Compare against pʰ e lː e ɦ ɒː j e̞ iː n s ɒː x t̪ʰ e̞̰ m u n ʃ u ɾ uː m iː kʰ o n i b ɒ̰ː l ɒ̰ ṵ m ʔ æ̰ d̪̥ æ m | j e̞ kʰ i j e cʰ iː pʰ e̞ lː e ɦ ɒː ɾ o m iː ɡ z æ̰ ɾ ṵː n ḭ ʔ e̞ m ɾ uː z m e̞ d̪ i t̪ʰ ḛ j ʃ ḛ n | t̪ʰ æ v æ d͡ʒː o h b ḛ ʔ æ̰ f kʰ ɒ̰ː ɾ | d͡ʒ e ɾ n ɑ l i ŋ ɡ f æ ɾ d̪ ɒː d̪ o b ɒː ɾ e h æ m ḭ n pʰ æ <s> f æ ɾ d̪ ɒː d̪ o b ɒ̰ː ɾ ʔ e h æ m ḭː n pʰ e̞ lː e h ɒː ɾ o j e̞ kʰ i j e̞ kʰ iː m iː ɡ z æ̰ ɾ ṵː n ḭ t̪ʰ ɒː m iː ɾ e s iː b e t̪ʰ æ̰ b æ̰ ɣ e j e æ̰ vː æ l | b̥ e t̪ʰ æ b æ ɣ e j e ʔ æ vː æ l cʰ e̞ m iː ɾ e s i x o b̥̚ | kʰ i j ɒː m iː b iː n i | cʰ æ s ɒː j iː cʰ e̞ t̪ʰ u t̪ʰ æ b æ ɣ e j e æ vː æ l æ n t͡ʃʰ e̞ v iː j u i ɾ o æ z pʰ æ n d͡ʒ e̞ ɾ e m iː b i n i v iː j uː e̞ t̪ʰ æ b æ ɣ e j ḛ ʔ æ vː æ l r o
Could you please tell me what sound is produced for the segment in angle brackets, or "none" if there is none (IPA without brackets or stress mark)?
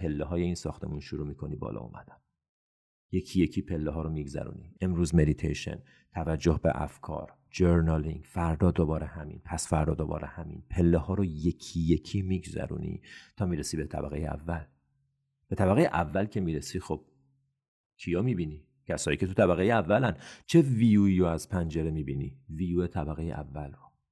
s